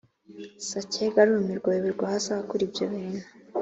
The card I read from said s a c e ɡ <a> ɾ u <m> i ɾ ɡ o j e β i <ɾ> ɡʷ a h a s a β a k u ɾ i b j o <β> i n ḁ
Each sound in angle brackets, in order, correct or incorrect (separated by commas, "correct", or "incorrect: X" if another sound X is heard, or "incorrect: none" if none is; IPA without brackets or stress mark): correct, correct, correct, correct